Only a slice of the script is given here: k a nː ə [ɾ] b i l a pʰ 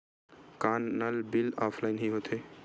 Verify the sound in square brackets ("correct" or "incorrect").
incorrect